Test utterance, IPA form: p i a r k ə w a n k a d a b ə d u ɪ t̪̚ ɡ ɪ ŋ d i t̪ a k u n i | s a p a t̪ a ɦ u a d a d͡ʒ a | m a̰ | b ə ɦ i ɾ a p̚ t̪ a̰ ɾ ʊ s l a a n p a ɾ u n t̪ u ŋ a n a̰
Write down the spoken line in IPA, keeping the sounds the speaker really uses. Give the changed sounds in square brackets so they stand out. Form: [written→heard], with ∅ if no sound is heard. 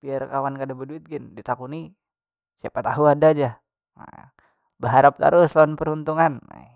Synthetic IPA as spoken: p i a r k [ə→a] w a n k a d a b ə d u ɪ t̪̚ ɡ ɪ [ŋ→n] d i t̪ a k u n i | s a p a t̪ a ɦ u a d a d͡ʒ a | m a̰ | b ə ɦ [i→a] ɾ a p̚ t̪ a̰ ɾ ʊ s l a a n p [a→ə] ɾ u n t̪ u ŋ a n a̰